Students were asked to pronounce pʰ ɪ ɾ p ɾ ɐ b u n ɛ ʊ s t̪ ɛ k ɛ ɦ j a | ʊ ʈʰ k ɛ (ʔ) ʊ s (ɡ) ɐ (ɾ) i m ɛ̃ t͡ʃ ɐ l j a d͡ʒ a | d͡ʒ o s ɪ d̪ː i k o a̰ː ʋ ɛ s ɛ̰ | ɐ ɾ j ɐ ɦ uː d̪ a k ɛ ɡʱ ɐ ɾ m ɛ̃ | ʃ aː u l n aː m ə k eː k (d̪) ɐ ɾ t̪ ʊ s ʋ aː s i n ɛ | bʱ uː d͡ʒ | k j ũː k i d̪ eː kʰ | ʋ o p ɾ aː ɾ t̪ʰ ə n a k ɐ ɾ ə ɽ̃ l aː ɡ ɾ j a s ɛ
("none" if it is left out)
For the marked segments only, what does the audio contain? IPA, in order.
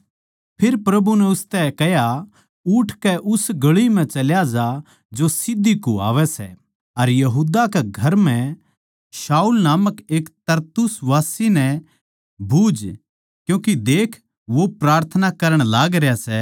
ʔ, ɡ, ɭ, t̪

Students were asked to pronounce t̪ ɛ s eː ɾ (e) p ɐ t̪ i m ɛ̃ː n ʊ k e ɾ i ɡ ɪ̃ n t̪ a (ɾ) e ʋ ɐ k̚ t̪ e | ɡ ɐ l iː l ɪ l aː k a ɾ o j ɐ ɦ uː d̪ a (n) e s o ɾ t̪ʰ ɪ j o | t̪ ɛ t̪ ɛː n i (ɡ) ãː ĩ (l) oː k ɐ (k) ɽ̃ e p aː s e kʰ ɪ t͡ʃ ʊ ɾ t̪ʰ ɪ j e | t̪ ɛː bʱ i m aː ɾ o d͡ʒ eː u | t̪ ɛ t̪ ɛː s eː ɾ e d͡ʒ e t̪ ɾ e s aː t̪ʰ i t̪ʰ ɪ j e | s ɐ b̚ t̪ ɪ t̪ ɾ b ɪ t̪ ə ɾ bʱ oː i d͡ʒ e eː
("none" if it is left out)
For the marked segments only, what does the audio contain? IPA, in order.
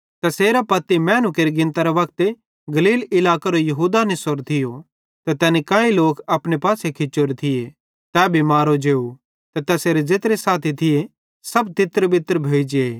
a, ɾ, n, k, l, p

